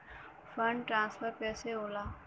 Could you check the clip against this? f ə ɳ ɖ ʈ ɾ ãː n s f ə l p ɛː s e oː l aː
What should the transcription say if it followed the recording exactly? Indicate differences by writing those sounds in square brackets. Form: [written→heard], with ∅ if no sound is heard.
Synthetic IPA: f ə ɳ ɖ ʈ ɾ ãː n s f ə [l→ɾ] p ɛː s e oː l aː